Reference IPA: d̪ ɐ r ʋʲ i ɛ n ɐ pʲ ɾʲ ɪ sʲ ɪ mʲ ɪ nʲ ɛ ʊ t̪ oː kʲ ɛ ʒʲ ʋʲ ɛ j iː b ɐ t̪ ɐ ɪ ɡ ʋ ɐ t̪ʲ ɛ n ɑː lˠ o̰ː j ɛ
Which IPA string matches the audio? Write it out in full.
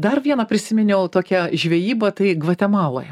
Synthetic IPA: d̪ ɐ r ʋʲ i ɛ n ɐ pʲ ɾʲ ɪ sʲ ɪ mʲ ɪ nʲ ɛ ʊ t̪ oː kʲ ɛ ʒʲ ʋʲ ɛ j iː b ɐ t̪ ɐ ɪ ɡ ʋ ɐ t̪ʲ ɛ m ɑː lˠ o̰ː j ɛ